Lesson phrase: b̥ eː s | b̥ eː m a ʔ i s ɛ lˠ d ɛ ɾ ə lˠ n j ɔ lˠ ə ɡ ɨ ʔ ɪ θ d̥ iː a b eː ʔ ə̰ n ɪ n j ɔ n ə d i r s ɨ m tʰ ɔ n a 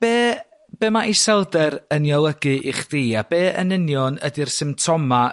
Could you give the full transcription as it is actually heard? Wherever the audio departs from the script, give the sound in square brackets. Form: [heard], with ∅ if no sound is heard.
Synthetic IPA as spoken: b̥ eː [∅] | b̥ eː m a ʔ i s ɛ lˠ d ɛ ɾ ə [∅] n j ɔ lˠ ə ɡ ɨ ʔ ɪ [χ] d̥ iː a b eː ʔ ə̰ n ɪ n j ɔ n ə d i r s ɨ m tʰ ɔ [m] a